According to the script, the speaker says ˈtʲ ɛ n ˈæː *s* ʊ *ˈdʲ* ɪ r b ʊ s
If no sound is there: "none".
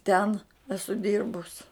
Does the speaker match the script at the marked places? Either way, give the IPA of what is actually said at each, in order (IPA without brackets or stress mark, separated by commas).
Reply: s, dʲ